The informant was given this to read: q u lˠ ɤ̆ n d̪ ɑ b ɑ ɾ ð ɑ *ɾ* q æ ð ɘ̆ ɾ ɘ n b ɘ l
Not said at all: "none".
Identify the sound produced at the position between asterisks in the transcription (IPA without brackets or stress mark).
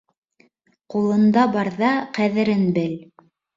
none